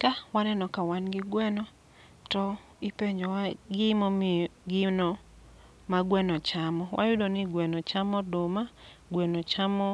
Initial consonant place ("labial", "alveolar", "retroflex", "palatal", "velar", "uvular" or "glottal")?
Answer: velar